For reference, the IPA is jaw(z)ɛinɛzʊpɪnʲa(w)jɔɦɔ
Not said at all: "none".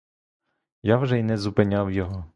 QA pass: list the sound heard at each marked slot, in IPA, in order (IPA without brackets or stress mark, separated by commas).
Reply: ʒ, w